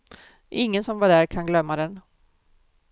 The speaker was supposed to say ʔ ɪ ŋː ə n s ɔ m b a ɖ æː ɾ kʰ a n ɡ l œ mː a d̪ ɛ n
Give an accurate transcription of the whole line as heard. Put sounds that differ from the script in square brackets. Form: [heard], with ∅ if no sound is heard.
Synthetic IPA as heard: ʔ ɪ ŋː ə n s ɔ m [v] a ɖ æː ɾ kʰ a n ɡ l œ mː a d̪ ɛ n